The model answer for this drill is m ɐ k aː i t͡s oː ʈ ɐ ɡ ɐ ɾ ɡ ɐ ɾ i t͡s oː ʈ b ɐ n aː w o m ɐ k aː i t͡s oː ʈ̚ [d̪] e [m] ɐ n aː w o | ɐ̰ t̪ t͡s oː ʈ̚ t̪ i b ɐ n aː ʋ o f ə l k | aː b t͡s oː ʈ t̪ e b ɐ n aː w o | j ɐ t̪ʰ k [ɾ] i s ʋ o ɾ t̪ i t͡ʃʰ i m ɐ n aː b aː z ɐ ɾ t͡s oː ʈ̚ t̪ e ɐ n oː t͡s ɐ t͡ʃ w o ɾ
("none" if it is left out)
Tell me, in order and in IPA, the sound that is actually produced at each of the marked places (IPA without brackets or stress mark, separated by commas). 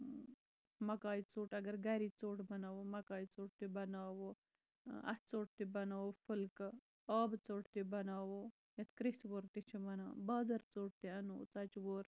t̪, b, ɾ